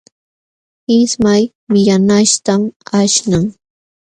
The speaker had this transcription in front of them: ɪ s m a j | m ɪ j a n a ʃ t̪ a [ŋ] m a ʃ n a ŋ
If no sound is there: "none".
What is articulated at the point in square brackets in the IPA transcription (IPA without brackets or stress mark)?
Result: none